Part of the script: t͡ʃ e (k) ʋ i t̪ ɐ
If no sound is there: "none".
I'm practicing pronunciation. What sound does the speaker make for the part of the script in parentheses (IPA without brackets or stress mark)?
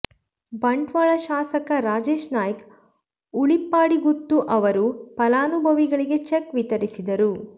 k